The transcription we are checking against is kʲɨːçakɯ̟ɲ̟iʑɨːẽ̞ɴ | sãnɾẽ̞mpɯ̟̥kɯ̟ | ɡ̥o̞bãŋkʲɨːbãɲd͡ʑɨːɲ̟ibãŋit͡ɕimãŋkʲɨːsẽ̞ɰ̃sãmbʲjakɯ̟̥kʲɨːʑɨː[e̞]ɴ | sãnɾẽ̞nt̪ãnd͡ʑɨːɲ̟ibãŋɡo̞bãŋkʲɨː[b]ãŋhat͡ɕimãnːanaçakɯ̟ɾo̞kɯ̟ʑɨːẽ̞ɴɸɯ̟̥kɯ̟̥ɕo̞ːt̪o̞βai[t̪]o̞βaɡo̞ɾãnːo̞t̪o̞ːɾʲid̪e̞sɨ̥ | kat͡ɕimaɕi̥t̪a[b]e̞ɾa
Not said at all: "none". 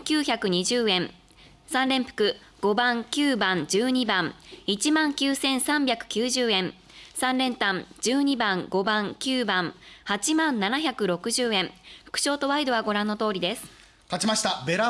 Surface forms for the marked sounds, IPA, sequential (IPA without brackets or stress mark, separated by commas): ẽ̞, b, d̪, b